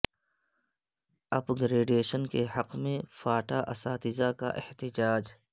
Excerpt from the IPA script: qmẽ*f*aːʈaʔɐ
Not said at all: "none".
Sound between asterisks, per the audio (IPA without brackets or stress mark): f